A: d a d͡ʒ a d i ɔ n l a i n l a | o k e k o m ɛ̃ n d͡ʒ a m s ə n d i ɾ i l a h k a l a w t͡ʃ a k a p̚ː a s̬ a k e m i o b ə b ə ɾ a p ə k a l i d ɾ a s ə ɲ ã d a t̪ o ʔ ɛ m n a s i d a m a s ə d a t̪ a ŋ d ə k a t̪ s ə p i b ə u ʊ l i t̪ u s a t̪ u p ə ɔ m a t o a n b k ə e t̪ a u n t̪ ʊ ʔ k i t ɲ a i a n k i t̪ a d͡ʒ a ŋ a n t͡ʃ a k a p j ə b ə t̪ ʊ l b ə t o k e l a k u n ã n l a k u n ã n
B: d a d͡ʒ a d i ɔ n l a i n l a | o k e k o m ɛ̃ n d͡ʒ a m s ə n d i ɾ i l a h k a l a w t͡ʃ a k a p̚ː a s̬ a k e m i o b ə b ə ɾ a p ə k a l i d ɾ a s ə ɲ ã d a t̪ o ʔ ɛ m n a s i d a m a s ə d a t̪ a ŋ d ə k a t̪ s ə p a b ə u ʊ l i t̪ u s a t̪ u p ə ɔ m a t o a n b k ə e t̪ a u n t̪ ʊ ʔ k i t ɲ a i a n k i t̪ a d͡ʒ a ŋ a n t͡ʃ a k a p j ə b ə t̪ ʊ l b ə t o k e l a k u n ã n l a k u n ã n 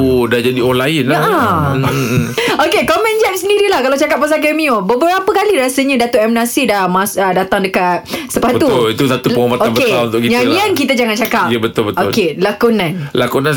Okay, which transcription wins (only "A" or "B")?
B